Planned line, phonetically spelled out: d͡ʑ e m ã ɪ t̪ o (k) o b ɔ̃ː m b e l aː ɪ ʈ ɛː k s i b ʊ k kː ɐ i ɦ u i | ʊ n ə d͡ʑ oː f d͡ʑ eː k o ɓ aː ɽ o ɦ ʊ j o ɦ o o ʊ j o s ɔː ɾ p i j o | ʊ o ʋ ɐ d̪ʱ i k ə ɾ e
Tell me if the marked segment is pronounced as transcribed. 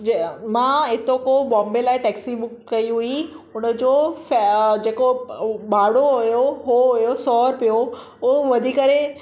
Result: yes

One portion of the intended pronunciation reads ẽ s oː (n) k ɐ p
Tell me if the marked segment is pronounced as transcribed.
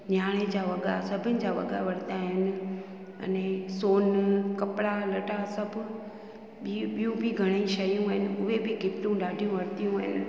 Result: yes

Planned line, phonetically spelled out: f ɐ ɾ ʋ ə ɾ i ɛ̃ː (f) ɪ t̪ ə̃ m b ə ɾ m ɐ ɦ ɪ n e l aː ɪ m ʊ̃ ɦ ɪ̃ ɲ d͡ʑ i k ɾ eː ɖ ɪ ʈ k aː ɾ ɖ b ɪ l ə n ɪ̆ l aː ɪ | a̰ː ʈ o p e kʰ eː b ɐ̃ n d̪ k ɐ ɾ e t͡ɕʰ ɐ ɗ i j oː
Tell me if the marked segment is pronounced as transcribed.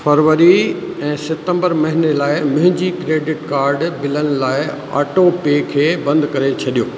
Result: no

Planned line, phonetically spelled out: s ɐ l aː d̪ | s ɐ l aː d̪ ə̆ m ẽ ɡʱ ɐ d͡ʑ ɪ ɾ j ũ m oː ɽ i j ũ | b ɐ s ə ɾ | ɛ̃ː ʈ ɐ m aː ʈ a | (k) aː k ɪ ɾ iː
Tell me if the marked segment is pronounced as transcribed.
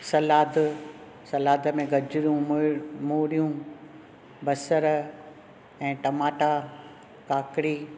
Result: yes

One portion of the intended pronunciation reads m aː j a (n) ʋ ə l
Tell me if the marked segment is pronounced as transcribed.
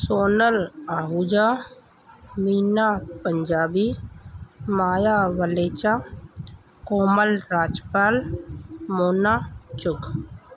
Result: no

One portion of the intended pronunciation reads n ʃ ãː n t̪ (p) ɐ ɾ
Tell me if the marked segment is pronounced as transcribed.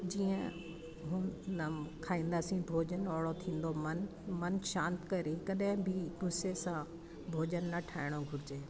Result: no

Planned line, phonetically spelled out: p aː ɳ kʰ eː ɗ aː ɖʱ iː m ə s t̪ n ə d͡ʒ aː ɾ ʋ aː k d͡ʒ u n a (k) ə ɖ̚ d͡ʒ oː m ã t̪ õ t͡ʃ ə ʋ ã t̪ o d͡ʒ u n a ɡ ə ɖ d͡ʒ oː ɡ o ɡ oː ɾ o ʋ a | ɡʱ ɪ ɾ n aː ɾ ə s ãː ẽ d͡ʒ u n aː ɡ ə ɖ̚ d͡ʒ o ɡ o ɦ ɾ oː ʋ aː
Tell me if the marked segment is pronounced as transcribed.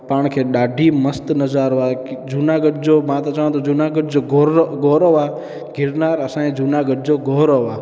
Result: no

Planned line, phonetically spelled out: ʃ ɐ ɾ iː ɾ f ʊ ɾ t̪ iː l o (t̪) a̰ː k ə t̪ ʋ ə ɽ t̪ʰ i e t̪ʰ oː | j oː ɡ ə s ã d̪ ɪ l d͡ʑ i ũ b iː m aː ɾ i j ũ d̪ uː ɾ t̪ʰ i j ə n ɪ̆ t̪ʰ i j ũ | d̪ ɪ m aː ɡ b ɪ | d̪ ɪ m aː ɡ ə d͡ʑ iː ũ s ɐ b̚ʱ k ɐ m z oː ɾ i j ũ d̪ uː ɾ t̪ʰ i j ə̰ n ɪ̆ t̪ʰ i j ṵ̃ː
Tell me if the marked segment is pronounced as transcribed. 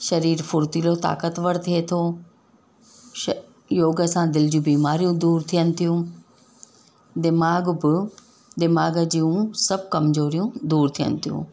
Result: yes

